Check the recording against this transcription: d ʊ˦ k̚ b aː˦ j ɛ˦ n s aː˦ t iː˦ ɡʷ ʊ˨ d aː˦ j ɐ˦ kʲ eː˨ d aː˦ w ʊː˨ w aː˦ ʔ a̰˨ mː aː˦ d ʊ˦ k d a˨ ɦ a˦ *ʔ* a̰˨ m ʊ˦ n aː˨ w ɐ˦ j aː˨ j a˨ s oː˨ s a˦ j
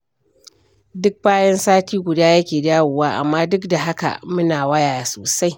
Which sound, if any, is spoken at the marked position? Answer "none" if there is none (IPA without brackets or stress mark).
k